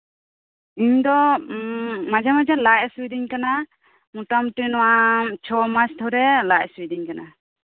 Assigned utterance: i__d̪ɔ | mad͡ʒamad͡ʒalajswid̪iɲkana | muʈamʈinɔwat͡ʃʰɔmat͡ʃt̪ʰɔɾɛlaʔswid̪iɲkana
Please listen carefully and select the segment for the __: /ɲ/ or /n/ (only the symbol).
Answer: ɲ